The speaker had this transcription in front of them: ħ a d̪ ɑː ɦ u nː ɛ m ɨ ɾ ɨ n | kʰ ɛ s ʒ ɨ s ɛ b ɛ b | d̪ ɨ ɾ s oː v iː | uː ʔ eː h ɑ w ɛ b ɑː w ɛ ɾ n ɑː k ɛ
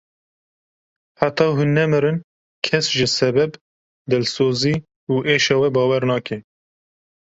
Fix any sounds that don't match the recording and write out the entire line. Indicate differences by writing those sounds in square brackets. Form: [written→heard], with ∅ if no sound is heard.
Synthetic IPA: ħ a [d̪→t̪] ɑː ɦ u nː ɛ m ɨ ɾ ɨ n | kʰ ɛ s ʒ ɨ s ɛ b ɛ b | d̪ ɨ [ɾ→l] s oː [v→z] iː | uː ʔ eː [h→ʃ] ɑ w ɛ b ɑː w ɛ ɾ n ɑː k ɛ